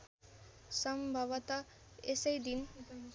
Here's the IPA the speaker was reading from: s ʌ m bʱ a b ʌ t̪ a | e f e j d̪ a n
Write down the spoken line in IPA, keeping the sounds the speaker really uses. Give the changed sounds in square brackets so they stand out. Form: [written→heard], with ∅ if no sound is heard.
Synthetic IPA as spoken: s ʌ m bʱ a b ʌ t̪ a | e [f→s] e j d̪ [a→i] n